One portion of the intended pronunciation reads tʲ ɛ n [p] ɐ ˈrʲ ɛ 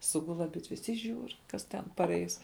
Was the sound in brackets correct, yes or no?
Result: yes